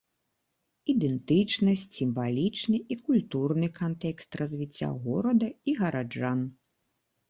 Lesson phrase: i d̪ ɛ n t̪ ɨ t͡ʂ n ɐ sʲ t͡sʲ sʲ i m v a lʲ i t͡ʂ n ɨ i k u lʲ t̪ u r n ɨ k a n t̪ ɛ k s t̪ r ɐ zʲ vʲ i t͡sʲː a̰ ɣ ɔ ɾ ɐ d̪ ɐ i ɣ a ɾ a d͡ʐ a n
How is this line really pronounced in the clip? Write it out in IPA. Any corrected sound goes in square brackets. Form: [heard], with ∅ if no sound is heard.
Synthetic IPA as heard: i d̪ ɛ n t̪ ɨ t͡ʂ n ɐ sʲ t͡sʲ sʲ i m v a lʲ i t͡ʂ n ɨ i k u lʲ t̪ u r n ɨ k a n t̪ ɛ k s t̪ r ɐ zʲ vʲ i t͡sʲː a̰ ɣ ɔ ɾ ɐ d̪ ɐ i ɣ [ɐ] ɾ a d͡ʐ a n